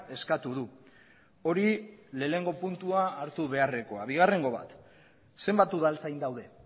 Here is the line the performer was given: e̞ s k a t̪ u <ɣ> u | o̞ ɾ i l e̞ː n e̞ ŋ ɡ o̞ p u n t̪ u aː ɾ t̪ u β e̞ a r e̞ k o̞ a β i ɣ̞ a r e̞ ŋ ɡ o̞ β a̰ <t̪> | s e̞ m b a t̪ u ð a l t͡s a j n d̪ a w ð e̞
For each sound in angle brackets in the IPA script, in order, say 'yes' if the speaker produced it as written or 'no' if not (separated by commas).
no, yes